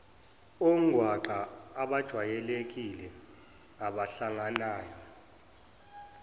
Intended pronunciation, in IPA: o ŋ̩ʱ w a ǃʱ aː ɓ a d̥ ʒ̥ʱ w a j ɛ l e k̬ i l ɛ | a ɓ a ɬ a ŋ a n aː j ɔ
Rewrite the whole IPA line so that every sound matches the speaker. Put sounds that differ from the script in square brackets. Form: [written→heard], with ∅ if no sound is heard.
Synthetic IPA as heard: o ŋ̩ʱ w a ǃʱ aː ɓ a d̥ ʒ̥ʱ w a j ɛ l e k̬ i l ɛ | a ɓ a ɬ a ŋ a n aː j ɔ